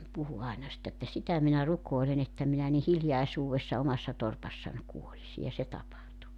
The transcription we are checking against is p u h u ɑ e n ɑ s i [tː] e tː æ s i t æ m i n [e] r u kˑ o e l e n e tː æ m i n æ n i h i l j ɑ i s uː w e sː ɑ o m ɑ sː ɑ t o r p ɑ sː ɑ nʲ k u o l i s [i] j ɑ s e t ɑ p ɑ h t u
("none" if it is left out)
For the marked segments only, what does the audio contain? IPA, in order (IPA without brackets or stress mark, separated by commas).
tː, æ, i